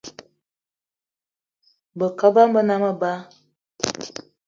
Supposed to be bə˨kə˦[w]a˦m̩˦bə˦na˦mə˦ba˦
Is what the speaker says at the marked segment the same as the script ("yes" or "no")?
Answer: no